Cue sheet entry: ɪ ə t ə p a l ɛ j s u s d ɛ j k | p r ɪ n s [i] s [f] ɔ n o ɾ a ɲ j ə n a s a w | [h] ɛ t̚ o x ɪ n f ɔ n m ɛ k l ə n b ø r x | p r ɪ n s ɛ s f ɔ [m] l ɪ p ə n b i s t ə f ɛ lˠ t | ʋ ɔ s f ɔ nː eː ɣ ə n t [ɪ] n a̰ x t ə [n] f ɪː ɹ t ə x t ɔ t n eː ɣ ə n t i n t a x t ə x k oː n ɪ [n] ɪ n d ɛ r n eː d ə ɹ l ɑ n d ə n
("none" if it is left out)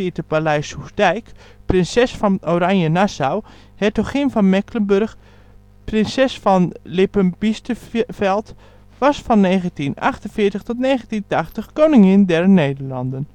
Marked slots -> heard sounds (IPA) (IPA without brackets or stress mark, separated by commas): ɛ, f, h, n, i, n, ŋ